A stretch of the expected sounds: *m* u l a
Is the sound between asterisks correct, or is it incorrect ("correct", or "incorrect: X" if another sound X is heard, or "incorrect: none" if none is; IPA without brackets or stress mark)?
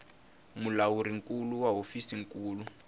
correct